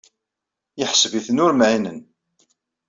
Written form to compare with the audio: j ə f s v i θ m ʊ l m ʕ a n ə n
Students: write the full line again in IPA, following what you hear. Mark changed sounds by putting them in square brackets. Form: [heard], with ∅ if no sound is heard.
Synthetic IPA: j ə [ħ] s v i θ [n] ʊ [ɾ] m ʕ [i] n ə n